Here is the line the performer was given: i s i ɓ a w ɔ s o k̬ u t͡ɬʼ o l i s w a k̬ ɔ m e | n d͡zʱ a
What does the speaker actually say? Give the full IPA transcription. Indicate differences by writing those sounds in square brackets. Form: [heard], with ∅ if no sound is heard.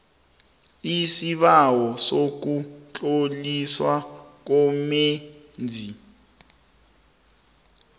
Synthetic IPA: i s i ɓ a w ɔ s o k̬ u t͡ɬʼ o l i s w a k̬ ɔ m e | n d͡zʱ [i]